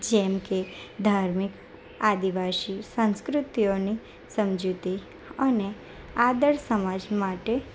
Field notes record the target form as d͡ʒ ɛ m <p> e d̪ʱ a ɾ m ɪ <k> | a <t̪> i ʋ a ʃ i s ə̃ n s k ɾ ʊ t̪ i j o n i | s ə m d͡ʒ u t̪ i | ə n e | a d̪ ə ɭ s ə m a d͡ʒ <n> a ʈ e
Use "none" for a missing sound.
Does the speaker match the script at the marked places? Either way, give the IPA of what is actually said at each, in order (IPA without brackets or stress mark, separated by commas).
k, k, d̪, m